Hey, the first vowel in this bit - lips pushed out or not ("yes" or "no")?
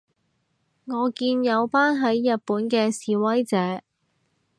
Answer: yes